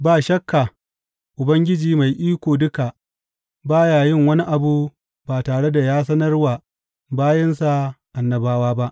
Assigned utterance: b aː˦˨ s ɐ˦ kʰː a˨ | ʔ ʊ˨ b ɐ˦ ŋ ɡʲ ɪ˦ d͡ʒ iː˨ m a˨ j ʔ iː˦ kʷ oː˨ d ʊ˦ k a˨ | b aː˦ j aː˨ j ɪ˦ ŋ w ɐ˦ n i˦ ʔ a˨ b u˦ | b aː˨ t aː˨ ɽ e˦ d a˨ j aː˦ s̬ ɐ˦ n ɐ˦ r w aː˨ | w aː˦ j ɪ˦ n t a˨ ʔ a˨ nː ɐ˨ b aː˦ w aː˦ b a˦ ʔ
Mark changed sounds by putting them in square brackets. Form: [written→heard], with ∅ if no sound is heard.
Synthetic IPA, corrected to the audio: b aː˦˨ [s→ʃ] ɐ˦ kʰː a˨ | ʔ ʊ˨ b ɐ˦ ŋ ɡʲ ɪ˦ d͡ʒ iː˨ m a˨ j ʔ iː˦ kʷ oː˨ d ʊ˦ k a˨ | b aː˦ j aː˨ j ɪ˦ ŋ w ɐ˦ n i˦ ʔ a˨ b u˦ | b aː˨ t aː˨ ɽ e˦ d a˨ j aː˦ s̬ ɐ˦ n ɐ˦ r w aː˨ | [w→b] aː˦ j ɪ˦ n [t→s] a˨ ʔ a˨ nː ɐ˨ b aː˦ w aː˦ b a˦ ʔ